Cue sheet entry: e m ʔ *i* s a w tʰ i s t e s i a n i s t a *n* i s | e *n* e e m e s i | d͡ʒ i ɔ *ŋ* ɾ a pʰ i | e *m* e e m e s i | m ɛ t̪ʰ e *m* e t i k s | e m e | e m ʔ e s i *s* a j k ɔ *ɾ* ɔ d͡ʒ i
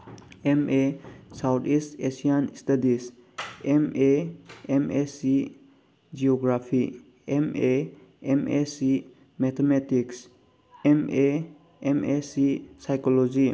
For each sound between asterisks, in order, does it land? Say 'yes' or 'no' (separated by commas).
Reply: no, no, no, no, yes, yes, yes, no